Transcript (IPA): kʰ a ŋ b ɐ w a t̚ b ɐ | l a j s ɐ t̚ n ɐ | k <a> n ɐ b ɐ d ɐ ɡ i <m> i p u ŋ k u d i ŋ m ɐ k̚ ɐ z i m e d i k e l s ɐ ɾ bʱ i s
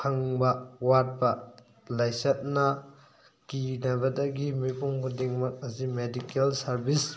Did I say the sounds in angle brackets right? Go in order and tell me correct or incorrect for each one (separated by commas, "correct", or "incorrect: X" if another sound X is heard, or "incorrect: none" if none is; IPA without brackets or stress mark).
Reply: incorrect: i, correct